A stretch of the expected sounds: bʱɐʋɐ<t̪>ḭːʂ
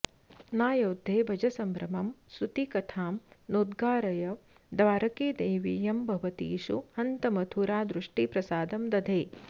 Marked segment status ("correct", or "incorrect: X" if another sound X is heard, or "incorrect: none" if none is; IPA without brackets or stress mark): correct